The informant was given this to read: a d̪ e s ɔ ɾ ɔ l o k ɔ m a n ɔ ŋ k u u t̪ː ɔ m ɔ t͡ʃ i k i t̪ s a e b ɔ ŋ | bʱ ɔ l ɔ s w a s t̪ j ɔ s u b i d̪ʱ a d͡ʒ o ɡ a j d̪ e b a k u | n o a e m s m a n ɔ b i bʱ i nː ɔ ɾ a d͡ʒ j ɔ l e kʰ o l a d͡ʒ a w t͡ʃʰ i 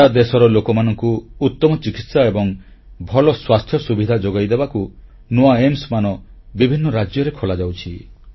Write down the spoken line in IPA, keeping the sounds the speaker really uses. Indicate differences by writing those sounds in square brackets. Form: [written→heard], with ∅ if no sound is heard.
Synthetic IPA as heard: a d̪ e s ɔ ɾ ɔ l o k ɔ m a n ɔ ŋ k u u t̪ː ɔ m ɔ t͡ʃ i k i t̪ s a e b ɔ ŋ | bʱ ɔ l ɔ s w a s [t̪→t̪ʰ] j ɔ s u b i d̪ʱ a d͡ʒ o ɡ a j d̪ e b a k u | n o a e m s m a n ɔ b i bʱ i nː ɔ ɾ a d͡ʒ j ɔ [l→ɾ] e kʰ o l a d͡ʒ a w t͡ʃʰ i